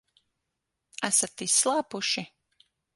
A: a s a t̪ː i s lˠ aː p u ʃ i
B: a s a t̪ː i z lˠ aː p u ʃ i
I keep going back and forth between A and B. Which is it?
A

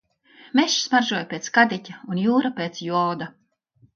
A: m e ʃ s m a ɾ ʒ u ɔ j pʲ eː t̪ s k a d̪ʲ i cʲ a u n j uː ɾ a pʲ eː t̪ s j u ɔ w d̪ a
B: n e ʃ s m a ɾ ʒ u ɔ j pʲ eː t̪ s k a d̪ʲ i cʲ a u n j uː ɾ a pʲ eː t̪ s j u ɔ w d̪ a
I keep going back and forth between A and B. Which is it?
A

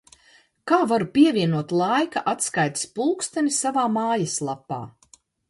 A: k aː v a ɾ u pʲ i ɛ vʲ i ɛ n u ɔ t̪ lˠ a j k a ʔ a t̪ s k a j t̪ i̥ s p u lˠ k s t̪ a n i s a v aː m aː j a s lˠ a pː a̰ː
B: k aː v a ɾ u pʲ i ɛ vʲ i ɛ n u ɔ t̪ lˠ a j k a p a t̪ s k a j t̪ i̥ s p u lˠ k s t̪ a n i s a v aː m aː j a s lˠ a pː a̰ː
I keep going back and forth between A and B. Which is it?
A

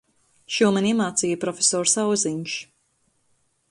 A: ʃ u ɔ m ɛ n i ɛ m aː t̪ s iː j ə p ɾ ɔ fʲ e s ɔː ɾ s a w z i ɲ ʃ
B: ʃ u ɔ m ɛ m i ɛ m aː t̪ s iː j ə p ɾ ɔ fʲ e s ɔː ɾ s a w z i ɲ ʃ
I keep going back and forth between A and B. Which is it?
A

